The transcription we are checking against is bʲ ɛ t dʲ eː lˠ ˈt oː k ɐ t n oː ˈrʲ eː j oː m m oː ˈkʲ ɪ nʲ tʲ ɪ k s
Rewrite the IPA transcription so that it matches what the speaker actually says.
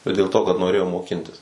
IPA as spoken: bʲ ɛ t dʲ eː lˠ ˈt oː k ɐ t n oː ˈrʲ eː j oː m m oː ˈkʲ ɪ nʲ tʲ ɪ s